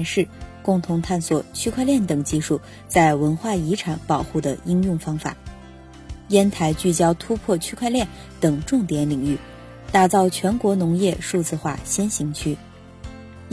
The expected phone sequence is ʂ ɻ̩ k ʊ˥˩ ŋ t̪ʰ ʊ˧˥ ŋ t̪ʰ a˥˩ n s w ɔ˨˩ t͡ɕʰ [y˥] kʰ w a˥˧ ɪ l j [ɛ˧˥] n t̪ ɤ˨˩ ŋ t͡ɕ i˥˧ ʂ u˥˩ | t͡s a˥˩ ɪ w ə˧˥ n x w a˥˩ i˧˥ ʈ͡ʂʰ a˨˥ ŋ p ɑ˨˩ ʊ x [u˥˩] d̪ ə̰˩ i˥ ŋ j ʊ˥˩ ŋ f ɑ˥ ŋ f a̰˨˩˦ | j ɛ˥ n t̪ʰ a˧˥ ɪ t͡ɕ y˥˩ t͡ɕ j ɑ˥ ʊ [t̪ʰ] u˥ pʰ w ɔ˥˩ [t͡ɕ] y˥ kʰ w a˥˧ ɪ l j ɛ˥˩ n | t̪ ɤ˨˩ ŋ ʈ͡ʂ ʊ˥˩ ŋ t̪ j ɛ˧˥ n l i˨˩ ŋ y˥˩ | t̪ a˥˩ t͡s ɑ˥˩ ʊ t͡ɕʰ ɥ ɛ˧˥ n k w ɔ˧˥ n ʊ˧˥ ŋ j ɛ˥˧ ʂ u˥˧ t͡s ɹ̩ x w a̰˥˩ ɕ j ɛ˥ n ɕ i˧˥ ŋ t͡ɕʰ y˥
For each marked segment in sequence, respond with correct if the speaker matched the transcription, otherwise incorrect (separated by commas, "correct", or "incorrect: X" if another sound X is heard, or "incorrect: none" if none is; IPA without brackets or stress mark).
correct, incorrect: ɛ˥˩, correct, correct, incorrect: t͡ɕʰ